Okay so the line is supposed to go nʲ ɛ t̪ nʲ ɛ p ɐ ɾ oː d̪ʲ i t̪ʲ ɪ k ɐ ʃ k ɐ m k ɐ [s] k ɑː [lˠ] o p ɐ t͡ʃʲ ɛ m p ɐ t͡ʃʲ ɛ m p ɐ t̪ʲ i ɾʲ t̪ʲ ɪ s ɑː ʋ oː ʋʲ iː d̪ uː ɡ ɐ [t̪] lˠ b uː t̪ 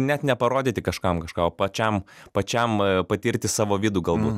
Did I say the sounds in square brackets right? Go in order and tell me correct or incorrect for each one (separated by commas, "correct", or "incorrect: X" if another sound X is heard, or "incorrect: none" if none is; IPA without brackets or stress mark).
incorrect: ʃ, incorrect: none, incorrect: none